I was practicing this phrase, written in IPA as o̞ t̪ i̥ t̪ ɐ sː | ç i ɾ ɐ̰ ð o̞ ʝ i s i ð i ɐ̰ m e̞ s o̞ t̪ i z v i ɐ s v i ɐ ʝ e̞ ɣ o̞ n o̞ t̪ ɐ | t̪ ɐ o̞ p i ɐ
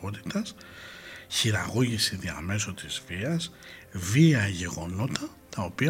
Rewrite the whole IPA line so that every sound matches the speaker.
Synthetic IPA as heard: o̞ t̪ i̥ t̪ ɐ s | ç i ɾ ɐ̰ ɣ o̞ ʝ i s i ð i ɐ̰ m e̞ s o̞ t̪ i z v i ɐ s v i ɐ ʝ e̞ ɣ o̞ n o̞ t̪ ɐ | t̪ ɐ o̞ p i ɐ